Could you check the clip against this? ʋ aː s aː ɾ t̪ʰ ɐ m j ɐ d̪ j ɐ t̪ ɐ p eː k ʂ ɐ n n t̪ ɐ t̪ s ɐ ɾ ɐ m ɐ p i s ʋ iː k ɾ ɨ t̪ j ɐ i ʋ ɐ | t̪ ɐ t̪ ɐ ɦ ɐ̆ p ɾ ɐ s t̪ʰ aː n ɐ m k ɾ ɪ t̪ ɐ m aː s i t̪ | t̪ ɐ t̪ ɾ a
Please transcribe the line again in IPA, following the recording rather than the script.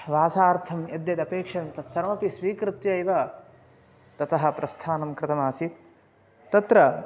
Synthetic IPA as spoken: ʋ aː s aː ɾ t̪ʰ ɐ m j ɐ d̪ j ɐ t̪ ɐ p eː k ʂ ɐ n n t̪ ɐ t̪ s ɐ ɾ ɐ m ɐ p i s ʋ iː k ɾ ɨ t̪ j ɐ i ʋ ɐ | t̪ ɐ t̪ ɐ ɦ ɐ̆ p ɾ ɐ s t̪ʰ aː n ɐ m k ɾ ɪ t̪ ɐ m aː s i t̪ | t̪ ɐ t̪ ɾ ɐ